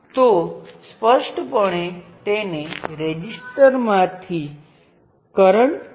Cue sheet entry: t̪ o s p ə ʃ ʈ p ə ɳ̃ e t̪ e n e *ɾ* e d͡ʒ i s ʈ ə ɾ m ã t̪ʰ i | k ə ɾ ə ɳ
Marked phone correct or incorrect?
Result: correct